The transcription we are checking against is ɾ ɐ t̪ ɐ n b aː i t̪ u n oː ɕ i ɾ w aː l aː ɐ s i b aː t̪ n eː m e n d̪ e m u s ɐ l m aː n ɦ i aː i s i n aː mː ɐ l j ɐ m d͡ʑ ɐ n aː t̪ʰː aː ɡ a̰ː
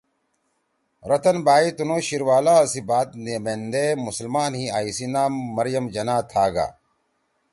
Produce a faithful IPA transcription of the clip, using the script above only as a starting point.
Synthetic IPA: ɾ ɐ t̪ ɐ n b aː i t̪ u n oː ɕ i ɾ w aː l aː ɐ s i b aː t̪ n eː m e n d̪ e m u s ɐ l m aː n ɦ i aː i s i n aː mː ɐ ɾ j ɐ m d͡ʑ ɐ n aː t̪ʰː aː ɡ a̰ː